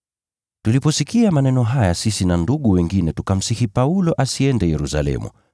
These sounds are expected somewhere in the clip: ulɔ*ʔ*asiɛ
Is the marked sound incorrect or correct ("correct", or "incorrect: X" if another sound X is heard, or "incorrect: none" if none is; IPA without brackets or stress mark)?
correct